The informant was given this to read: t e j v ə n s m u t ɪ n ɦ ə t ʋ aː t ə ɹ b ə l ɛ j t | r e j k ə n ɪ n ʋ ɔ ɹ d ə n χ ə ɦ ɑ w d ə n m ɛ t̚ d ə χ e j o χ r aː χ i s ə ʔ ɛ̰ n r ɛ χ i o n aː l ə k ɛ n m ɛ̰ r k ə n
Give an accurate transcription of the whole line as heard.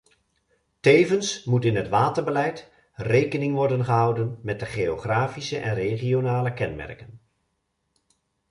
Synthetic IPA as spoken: t e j v ə n s m u t ɪ n ɦ ə t ʋ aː t ə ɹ b ə l ɛ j t | r e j k ə n ɪ ŋ ʋ ɔ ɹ d ə n χ ə ɦ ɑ w d ə n m ɛ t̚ d ə χ e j o χ r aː f i s ə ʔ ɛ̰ n r e χ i o n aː l ə k ɛ n m ɛ̰ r k ə n

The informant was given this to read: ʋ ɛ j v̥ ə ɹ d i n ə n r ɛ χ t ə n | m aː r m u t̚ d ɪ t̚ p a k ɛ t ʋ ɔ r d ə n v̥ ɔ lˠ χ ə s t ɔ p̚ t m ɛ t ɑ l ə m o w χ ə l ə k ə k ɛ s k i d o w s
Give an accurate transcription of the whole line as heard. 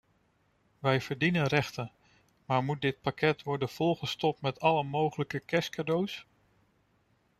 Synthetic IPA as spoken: ʋ ɛ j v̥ ə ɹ d i n ə n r ɛ χ t ə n | m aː ɹ m u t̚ d ɪ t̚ p a k ɛ t ʋ ɔ ɹ d ə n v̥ ɔ lˠ χ ə s t ɔ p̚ t m ɛ t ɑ l ə m o w χ ə l ə k ə k ɛ s k a d o w s

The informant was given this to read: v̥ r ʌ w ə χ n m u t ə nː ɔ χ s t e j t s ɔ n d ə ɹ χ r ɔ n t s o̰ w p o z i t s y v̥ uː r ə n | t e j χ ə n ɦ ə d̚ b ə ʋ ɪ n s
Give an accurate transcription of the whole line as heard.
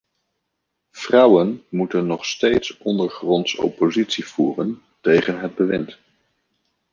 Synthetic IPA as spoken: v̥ r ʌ w ə n m u t ə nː ɔ χ s t e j t s ɔ n d ə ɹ χ r ɔ n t s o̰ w p o z i t s i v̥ uː r ə n | t e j χ ə n ɦ ə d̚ b ə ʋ ɪ n t

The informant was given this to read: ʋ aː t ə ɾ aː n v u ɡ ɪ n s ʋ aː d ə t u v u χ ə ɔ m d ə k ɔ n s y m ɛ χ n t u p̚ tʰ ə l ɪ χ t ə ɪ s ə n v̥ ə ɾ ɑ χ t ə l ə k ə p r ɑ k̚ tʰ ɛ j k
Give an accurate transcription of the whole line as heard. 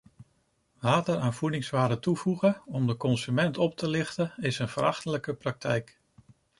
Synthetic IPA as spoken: ʋ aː t ə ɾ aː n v u d ɪ ŋ s ʋ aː d ə t u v u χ ə ɔ m d ə k ɔ n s y m ɛ n t ɔ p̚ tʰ ə l ɪ χ t ə ɪ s ə n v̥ ə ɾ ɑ χ t ə l ə k ə p r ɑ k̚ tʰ ɛ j k

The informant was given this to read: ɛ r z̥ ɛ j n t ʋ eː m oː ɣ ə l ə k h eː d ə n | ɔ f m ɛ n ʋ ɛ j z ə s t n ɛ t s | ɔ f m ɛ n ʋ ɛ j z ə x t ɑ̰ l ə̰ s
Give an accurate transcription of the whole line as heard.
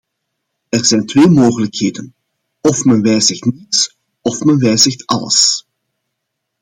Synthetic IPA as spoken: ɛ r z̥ ɛ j n t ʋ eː m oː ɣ ə l ə k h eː d ə n | ɔ f m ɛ n ʋ ɛ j z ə x t n i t s | ɔ f m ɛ n ʋ ɛ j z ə x t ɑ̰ l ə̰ s

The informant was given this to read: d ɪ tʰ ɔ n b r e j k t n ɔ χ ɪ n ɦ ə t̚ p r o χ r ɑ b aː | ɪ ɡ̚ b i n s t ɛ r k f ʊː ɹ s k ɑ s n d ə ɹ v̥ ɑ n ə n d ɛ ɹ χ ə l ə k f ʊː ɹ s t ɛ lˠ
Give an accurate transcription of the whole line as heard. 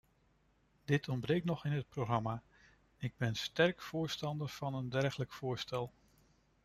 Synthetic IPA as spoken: d ɪ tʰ ɔ n b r e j k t n ɔ χ ɪ n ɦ ə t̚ p r o χ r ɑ m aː | ɪ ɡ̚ b ɛ n s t ɛ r k f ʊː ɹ s t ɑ n d ə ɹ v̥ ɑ n ə n d ɛ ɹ χ ə l ə k f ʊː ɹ s t ɛ lˠ

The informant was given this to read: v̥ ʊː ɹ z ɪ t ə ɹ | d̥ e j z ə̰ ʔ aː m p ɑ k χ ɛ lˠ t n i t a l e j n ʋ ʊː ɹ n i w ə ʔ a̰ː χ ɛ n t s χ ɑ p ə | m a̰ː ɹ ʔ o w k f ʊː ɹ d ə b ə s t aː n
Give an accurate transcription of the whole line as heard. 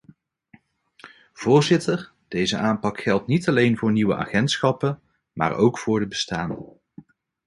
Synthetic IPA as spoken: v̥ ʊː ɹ z ɪ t ə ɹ | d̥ e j z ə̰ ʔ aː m p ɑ k χ ɛ lˠ t n i t ɑ l e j n v ʊː ɹ n i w ə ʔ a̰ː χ ɛ n t s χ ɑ p ə | m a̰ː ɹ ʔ o w k f ʊː ɹ d ə b ə s t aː n

